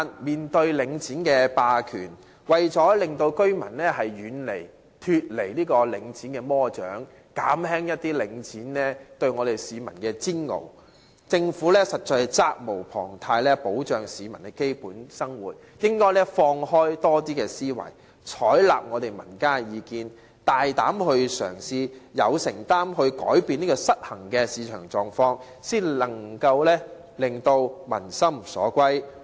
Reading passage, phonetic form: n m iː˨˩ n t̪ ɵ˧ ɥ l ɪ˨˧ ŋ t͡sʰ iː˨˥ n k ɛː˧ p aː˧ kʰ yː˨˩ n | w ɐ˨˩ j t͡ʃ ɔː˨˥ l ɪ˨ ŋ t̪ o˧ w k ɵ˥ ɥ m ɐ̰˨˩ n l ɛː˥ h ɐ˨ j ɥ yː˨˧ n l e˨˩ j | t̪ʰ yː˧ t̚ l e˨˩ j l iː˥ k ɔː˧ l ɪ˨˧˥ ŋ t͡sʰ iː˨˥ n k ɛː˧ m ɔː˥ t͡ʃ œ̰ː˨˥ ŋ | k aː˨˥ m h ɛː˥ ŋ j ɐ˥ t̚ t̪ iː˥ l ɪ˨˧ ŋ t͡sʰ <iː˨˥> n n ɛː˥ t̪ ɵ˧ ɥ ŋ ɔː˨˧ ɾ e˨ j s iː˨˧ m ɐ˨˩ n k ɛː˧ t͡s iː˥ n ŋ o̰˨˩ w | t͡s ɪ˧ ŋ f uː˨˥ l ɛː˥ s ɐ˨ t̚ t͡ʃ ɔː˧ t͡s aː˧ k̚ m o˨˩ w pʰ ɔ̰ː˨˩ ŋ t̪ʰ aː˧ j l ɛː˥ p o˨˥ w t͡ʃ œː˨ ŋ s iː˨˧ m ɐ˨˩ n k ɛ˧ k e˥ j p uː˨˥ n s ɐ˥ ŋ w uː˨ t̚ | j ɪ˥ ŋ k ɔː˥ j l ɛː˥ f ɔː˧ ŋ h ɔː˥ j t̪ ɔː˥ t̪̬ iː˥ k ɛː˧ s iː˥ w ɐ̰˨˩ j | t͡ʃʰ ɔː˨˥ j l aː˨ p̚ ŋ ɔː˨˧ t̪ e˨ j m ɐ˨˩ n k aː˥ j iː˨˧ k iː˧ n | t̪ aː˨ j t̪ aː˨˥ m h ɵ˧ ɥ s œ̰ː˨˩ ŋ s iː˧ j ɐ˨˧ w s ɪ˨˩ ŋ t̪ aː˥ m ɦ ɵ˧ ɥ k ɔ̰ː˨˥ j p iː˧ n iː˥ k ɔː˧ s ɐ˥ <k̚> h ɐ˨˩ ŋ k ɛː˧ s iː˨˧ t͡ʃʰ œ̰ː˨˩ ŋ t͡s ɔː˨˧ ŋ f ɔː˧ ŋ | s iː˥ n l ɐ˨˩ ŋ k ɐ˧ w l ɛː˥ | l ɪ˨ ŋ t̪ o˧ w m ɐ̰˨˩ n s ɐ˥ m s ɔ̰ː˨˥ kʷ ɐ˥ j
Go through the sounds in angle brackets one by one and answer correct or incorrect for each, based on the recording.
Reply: correct, incorrect

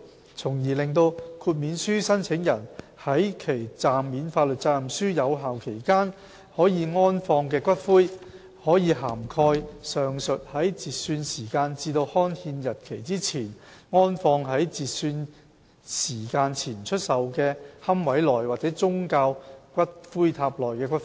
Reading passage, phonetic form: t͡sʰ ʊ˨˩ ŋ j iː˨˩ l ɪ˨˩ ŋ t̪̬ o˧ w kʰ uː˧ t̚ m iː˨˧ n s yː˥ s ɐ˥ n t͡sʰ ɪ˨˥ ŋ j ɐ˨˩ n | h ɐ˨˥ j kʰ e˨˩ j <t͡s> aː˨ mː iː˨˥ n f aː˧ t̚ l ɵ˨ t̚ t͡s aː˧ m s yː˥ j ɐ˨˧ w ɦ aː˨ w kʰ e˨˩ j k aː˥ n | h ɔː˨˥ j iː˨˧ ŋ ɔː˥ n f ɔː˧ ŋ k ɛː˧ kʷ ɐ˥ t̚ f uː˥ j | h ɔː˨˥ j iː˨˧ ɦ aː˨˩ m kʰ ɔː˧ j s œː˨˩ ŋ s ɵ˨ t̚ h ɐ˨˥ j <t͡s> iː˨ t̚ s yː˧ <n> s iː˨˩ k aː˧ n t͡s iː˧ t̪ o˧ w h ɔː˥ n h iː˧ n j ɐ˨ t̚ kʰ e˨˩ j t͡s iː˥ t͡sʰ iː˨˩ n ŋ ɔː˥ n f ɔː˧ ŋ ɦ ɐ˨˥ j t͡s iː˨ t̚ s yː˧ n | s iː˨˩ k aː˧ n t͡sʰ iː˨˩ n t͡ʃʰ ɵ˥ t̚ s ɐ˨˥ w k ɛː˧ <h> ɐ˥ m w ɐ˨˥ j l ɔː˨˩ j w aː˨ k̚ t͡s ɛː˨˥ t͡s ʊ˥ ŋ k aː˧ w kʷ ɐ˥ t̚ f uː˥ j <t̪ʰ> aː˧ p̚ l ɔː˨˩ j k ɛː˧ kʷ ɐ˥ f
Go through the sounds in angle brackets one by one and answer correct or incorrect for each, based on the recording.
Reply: correct, correct, correct, correct, correct

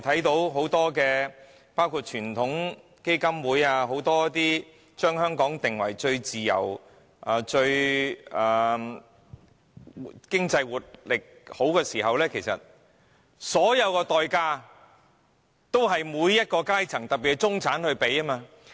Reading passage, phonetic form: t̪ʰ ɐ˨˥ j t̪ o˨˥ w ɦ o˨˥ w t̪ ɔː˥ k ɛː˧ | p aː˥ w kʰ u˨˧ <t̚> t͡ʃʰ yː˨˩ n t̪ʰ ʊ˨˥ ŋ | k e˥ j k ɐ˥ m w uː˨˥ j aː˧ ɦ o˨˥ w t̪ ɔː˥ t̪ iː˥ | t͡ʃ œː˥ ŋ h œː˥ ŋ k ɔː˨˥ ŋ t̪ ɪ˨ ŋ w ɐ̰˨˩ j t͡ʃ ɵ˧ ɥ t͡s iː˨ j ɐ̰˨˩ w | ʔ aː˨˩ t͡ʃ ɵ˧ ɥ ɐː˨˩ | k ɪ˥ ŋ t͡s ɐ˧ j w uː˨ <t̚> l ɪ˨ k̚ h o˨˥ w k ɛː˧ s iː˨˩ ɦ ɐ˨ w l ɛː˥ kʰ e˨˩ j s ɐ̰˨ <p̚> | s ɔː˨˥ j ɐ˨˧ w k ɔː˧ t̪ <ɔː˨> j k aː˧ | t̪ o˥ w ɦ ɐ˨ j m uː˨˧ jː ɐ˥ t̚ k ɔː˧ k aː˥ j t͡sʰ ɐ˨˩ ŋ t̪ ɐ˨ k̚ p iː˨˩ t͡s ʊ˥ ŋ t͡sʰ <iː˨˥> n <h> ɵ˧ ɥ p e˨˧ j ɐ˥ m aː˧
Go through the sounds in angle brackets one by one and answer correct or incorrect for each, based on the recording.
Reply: correct, correct, incorrect, correct, incorrect, correct

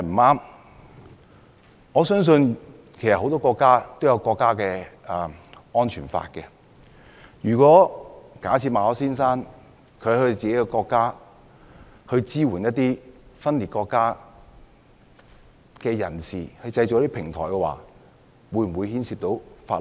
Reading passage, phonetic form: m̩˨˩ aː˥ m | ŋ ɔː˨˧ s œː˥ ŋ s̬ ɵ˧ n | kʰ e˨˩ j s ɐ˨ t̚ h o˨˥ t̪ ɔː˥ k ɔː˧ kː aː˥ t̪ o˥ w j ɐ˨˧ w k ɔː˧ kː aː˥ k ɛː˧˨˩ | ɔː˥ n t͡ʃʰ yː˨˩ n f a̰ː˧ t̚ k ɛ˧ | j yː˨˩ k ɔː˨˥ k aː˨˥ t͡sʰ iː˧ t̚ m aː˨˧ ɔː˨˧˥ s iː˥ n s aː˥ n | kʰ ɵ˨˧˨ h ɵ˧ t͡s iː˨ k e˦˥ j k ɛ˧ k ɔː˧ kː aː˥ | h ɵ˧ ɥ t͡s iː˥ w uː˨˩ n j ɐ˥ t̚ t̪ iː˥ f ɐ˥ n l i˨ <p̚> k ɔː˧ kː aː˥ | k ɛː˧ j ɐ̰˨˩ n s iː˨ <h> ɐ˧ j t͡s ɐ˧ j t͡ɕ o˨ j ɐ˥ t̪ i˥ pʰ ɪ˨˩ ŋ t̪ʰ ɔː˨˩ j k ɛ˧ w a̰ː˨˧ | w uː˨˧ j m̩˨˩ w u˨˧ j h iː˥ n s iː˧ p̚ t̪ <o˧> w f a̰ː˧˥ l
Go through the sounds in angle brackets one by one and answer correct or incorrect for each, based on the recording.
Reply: incorrect, correct, incorrect

